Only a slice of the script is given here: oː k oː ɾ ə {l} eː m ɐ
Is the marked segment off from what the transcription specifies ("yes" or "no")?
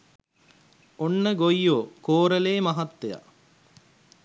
no